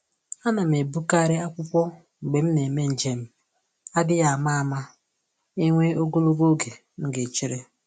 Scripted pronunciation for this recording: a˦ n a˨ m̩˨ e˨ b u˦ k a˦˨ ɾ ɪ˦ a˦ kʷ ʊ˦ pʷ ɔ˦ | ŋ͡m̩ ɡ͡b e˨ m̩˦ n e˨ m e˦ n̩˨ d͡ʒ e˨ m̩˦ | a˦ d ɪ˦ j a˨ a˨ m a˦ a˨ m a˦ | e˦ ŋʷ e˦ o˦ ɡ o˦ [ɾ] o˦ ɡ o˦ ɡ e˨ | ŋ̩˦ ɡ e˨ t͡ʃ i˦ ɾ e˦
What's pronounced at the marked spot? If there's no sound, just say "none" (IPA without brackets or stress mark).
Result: l